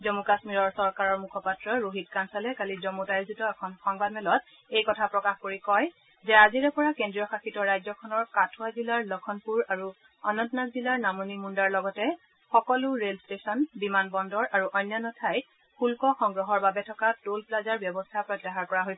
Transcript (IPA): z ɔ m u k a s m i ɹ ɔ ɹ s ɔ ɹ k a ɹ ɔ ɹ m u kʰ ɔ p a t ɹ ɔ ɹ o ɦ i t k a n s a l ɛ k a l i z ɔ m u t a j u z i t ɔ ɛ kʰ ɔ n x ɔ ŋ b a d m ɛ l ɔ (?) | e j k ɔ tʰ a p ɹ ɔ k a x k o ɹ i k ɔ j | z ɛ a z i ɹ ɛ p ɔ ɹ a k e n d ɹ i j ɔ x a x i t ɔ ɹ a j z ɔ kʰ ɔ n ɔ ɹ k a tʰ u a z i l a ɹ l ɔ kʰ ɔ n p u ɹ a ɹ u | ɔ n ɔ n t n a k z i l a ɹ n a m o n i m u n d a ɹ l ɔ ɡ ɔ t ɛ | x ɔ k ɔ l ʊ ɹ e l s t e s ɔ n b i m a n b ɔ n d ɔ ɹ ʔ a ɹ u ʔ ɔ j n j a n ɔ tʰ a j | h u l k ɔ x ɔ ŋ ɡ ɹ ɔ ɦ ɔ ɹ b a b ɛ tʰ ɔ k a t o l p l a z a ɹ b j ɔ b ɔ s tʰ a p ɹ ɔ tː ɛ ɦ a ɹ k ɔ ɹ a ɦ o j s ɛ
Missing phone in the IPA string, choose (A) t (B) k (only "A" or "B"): A